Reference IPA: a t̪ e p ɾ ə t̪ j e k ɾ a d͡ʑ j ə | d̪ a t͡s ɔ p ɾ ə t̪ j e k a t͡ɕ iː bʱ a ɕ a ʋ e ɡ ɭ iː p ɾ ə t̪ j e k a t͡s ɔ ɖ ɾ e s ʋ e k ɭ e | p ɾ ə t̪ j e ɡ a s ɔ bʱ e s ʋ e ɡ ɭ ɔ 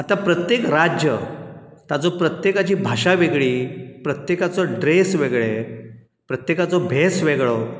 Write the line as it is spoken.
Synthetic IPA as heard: a t̪ a p ɾ ə t̪ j e k ɾ a d͡ʑ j ə | t̪ a t͡s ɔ p ɾ ə t̪ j e k a t͡ɕ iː bʱ a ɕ a ʋ e ɡ ɭ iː p ɾ ə t̪ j e k a t͡s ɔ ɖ ɾ e s ʋ e ɡ ɭ e | p ɾ ə t̪ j e k a t͡s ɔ bʱ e s ʋ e ɡ ɭ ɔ